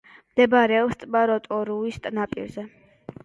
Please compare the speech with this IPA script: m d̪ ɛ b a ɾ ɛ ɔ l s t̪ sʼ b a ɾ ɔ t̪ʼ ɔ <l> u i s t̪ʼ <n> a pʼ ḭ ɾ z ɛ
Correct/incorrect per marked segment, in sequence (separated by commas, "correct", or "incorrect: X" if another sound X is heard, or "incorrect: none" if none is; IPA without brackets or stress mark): incorrect: ɾ, correct